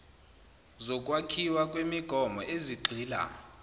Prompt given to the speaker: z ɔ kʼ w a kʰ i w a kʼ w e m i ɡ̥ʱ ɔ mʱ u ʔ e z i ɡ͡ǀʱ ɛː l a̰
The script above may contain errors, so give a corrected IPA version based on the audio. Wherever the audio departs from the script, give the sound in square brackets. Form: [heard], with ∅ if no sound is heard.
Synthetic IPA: z ɔ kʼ w a kʰ i w a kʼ w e m i ɡ̥ʱ ɔ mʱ [ɔ] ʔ e z i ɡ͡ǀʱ [iː] l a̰